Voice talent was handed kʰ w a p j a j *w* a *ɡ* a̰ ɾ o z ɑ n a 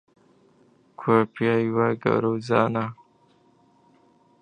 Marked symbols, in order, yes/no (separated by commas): yes, yes